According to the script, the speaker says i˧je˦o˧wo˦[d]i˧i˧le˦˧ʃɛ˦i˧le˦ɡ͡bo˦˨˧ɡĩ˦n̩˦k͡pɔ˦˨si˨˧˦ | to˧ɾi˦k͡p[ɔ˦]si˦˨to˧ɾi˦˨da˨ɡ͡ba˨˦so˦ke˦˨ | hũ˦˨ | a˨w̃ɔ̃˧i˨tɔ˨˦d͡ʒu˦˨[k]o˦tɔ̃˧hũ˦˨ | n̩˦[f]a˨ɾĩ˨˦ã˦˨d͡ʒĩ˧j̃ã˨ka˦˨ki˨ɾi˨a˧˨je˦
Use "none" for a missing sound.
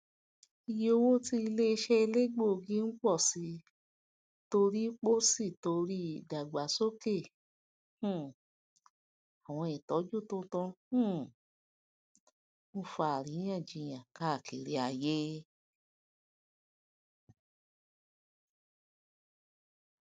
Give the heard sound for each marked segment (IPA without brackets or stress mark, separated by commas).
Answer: t, o˦, t, f